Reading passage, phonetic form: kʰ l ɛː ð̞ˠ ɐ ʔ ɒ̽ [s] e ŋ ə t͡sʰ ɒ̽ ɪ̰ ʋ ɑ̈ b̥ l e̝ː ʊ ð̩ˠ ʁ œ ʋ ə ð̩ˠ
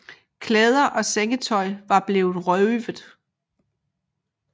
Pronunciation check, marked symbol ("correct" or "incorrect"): correct